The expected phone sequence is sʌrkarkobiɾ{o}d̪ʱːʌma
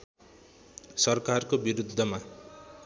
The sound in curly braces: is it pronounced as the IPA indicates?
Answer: no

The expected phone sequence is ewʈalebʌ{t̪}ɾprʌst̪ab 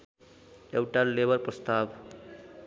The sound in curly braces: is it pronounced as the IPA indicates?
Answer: no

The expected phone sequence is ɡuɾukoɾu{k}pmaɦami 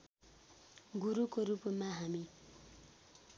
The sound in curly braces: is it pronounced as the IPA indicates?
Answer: no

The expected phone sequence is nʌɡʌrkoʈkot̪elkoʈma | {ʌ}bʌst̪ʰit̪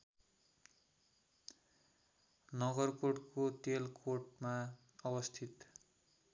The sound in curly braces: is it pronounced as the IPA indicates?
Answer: yes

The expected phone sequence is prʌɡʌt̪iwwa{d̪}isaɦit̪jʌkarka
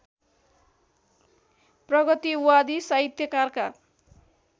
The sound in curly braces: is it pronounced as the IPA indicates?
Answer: yes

